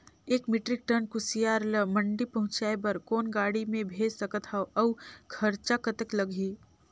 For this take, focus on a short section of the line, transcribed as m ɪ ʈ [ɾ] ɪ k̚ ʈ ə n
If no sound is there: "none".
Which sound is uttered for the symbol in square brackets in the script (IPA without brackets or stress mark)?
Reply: ɾ